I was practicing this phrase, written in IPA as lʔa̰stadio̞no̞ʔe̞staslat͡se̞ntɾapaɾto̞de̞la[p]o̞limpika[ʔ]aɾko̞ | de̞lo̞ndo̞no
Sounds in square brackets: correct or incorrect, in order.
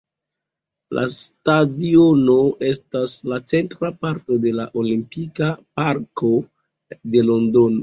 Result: incorrect: ʔ, incorrect: p

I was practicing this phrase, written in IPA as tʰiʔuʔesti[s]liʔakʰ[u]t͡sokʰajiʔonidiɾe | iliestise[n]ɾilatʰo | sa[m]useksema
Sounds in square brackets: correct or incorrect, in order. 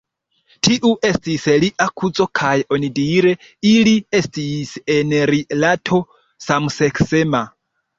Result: correct, correct, correct, correct

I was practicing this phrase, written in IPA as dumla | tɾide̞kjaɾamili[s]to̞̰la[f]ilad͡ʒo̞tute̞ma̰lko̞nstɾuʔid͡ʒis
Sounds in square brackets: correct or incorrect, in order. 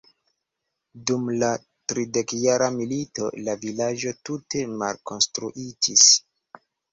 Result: incorrect: none, incorrect: v

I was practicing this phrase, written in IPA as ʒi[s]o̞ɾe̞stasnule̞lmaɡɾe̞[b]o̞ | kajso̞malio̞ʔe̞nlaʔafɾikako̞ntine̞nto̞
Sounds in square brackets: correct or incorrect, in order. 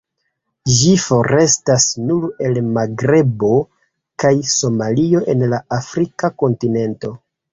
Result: incorrect: f, correct

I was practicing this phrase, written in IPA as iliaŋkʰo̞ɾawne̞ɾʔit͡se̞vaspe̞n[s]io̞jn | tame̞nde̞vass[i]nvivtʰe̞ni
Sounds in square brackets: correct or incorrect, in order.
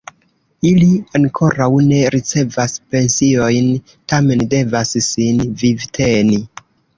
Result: correct, correct

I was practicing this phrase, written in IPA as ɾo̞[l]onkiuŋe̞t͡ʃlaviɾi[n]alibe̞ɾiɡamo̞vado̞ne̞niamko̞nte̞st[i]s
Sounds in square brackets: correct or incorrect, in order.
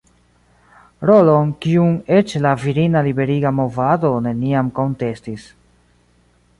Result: correct, correct, correct

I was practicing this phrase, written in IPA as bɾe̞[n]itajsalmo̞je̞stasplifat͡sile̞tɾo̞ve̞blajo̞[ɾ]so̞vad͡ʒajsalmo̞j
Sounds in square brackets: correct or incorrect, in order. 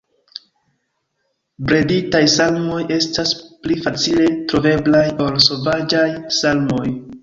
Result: incorrect: d, incorrect: l

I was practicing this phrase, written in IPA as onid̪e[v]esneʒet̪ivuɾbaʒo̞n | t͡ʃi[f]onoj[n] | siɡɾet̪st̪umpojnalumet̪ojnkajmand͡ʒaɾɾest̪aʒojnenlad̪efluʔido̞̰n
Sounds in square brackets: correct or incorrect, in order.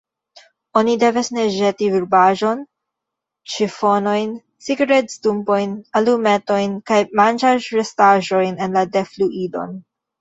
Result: correct, correct, correct

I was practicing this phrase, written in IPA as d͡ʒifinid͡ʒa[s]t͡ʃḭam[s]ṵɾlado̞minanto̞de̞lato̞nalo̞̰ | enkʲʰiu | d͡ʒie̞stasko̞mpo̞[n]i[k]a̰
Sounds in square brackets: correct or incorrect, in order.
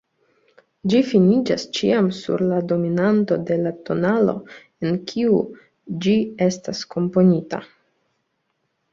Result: correct, correct, correct, incorrect: t

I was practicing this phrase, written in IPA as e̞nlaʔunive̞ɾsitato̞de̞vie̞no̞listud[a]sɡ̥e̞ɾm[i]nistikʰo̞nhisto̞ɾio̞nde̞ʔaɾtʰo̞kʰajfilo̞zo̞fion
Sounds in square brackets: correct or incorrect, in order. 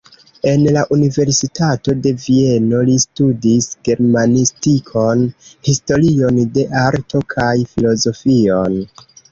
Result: incorrect: i, incorrect: a

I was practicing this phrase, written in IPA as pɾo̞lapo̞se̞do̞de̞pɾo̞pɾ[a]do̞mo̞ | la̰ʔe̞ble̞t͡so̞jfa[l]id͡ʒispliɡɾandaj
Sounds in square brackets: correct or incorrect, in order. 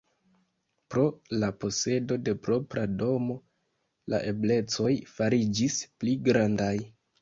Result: correct, incorrect: ɾ

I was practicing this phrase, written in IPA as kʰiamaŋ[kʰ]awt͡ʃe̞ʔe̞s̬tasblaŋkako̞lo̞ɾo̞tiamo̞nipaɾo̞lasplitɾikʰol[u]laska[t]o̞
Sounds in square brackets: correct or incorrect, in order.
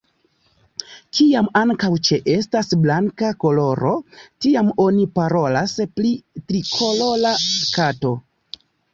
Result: incorrect: k, incorrect: o, correct

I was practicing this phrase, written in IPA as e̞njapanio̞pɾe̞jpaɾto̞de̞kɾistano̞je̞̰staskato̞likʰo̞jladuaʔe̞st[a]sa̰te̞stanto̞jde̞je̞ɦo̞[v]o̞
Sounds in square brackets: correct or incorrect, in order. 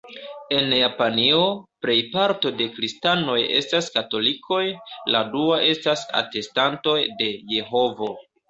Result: correct, correct

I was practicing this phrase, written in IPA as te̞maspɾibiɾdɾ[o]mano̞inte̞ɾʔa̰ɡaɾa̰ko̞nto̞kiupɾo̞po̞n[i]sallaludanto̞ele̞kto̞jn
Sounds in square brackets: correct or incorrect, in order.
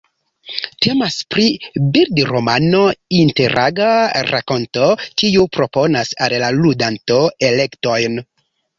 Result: correct, incorrect: a

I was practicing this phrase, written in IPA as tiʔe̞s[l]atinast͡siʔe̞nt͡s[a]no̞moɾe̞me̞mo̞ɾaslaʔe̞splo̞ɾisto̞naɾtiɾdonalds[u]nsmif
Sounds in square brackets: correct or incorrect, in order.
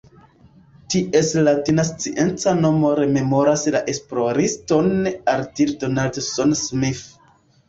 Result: correct, correct, incorrect: o

